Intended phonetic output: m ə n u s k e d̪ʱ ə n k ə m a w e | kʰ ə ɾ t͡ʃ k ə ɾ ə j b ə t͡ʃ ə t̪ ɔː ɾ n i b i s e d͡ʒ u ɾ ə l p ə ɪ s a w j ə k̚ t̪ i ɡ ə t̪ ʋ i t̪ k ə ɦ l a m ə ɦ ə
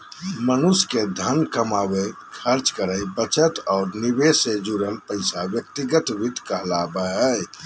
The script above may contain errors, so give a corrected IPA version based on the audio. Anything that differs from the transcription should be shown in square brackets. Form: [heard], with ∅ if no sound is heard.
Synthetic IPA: m ə n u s k e d̪ʱ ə n k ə m a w e | kʰ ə ɾ t͡ʃ k ə ɾ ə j b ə t͡ʃ ə t̪ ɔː ɾ n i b [e] s e d͡ʒ u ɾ ə l p ə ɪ s a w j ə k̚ t̪ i ɡ ə t̪ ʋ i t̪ k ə ɦ l a [b] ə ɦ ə